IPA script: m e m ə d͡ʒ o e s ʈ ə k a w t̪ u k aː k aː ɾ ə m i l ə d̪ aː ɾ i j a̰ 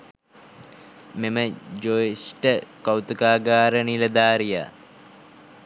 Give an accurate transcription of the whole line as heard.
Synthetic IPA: m e m ə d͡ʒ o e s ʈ ə k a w t̪ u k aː ɡ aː ɾ ə n i l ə d̪ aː ɾ i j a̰